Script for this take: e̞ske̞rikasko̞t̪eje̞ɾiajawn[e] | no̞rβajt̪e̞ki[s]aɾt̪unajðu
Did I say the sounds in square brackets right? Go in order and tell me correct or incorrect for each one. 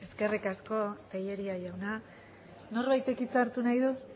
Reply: incorrect: a, incorrect: t͡s

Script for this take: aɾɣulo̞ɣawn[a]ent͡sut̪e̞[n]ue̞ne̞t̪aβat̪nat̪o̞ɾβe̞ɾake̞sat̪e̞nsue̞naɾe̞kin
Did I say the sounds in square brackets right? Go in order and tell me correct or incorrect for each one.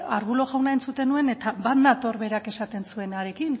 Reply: correct, correct

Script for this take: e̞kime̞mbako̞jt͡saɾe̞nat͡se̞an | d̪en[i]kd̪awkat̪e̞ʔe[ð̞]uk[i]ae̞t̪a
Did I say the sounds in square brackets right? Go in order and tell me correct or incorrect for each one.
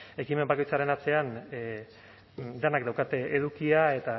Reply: incorrect: a, correct, correct

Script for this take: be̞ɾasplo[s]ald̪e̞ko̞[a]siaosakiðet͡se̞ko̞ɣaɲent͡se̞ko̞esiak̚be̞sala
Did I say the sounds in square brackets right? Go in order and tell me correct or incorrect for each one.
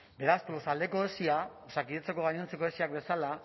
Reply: correct, incorrect: e

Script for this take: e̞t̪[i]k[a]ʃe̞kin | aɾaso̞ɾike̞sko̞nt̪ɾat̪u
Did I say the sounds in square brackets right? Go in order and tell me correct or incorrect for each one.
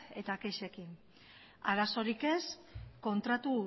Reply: incorrect: a, incorrect: e

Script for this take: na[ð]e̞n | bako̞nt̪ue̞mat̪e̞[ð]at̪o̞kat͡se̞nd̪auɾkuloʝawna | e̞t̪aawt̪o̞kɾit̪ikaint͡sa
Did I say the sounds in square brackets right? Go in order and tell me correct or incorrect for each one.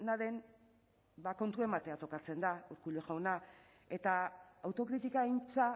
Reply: correct, incorrect: none

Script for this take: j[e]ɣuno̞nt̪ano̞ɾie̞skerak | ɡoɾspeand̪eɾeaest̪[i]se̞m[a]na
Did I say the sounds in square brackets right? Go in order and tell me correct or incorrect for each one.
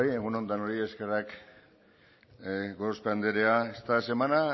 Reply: correct, incorrect: a, correct

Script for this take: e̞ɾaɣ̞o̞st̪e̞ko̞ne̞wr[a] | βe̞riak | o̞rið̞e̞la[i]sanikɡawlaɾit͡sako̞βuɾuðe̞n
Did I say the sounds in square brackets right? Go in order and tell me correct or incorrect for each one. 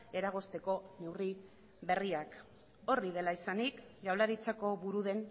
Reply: incorrect: i, correct

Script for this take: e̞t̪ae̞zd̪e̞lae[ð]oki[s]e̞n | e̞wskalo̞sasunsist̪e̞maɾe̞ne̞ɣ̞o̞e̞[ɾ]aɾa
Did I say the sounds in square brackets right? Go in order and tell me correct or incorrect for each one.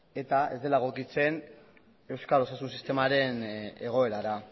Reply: incorrect: ɣ, incorrect: t͡s, correct

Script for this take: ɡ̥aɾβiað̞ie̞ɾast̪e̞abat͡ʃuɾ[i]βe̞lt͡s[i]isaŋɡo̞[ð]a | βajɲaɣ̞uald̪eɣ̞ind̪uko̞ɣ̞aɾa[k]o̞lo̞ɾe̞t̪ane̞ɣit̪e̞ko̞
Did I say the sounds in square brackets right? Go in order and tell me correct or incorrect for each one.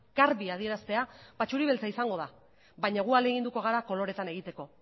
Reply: correct, incorrect: a, correct, correct

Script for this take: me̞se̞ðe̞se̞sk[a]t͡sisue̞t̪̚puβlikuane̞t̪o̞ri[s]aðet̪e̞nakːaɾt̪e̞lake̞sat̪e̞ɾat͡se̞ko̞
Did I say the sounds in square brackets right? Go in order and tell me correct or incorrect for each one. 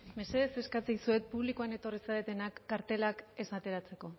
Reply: correct, correct

